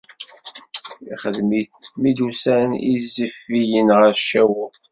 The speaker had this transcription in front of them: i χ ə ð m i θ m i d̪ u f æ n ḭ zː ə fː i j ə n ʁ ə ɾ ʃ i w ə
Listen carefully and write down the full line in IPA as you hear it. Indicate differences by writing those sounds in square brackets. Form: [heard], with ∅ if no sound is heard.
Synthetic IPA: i χ ə ð m i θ m i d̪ u [s] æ n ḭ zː ə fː i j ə n ʁ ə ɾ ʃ [æ] w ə